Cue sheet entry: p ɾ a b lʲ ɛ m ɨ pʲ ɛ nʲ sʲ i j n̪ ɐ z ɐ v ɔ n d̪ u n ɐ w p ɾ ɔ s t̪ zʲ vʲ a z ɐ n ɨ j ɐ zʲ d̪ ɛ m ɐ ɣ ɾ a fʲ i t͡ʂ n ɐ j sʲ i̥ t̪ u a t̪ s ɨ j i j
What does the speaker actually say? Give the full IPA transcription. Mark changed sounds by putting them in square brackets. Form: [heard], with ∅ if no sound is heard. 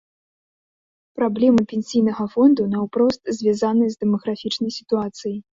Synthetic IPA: p ɾ a b lʲ ɛ m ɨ pʲ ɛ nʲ sʲ i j n̪ ɐ [ɣ] ɐ [f] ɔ n d̪ u n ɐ w p ɾ ɔ s t̪ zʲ vʲ a z [a] n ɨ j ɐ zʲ d̪ ɛ m ɐ ɣ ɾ a fʲ i t͡ʂ n ɐ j sʲ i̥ t̪ u a t̪ s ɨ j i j